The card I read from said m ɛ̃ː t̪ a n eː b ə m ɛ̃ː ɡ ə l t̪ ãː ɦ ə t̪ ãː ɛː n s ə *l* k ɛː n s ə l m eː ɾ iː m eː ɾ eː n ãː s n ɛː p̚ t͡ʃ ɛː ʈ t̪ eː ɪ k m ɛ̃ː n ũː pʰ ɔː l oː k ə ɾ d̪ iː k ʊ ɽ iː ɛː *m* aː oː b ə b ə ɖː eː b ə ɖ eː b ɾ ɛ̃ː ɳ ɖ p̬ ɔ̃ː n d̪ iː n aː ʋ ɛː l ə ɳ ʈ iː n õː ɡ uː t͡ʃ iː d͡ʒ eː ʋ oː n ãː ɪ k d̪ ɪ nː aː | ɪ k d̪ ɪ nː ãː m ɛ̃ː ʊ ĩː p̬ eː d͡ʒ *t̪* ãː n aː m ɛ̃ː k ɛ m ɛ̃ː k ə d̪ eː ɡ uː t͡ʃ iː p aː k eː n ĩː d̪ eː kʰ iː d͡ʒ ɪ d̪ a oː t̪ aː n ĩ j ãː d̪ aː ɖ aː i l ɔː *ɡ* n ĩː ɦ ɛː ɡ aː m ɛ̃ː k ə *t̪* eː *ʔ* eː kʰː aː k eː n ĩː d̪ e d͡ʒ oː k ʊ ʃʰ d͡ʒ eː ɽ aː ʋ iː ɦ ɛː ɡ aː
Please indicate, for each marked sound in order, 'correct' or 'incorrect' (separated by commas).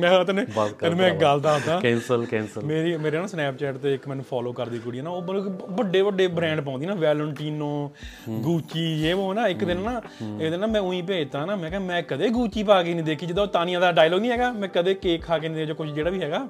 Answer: correct, incorrect, correct, correct, incorrect, incorrect